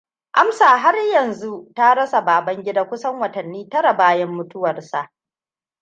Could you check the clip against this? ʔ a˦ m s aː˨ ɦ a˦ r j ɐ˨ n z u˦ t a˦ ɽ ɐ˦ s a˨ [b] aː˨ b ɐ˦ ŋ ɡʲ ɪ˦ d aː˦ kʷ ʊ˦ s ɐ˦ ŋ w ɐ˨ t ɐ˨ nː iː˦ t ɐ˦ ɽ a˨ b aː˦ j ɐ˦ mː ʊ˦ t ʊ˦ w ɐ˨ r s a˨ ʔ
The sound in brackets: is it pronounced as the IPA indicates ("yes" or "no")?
yes